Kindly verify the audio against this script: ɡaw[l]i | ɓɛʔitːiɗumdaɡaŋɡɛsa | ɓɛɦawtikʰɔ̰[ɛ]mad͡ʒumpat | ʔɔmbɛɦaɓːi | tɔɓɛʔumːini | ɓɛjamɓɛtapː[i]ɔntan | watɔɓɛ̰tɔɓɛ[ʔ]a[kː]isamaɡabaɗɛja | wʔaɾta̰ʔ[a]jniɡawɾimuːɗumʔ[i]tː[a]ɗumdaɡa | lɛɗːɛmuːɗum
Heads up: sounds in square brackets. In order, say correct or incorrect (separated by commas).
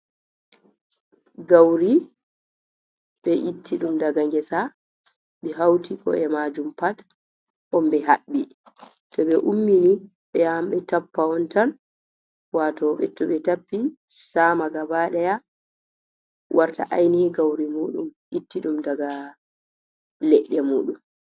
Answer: incorrect, correct, incorrect, incorrect, incorrect, correct, correct, incorrect